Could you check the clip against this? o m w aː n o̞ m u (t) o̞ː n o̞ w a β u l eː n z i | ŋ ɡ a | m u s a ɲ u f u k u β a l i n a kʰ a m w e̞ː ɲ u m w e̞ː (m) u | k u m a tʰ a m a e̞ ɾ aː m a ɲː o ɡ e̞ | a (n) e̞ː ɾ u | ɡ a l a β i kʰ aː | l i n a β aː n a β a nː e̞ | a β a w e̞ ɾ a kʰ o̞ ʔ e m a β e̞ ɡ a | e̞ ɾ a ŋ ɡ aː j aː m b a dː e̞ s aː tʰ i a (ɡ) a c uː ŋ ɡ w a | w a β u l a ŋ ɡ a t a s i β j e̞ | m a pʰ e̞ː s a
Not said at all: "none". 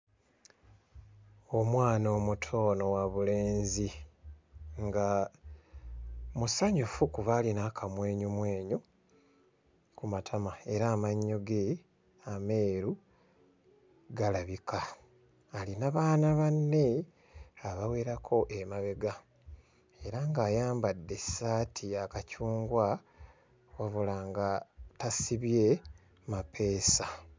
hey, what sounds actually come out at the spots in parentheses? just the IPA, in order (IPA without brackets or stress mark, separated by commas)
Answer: tʰ, ɲ, m, k